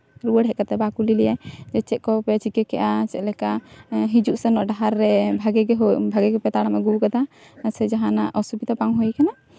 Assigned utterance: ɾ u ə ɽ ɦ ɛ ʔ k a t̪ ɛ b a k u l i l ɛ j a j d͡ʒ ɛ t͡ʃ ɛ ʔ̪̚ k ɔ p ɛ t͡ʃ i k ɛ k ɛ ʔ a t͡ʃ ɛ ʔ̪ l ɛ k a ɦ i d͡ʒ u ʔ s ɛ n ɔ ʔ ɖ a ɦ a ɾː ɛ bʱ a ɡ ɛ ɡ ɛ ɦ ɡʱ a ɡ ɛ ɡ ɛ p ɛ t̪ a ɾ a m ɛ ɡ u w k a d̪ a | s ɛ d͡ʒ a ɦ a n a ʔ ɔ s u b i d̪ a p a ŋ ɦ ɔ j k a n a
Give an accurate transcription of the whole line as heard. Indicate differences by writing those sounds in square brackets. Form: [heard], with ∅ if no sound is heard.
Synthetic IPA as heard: ɾ u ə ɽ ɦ ɛ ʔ k a t̪ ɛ b a k u l i l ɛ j a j d͡ʒ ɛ t͡ʃ ɛ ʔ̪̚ k ɔ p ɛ t͡ʃ i k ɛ k ɛ ʔ a t͡ʃ ɛ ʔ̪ l ɛ k a ɦ i d͡ʒ u ʔ s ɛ n ɔ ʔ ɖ a ɦ a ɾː ɛ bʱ a ɡ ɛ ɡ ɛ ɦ [bʱ] a ɡ ɛ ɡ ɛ p ɛ t̪ a [ɽ] a m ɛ ɡ u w k a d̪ a | s ɛ d͡ʒ a ɦ a n a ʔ ɔ s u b i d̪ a p a ŋ ɦ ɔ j k a n a